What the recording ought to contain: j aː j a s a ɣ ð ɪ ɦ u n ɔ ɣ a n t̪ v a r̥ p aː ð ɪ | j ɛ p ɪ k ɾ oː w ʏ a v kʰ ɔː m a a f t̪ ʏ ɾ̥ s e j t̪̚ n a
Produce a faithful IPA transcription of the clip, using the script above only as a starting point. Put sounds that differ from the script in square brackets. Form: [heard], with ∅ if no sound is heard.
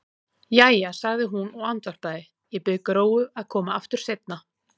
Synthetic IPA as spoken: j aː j a s a ɣ ð ɪ ɦ u n ɔ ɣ a n t̪ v a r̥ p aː ð ɪ | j ɛ p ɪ k ɾ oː w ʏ a [ð] kʰ ɔː m a a f t̪ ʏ ɾ̥ s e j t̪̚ n a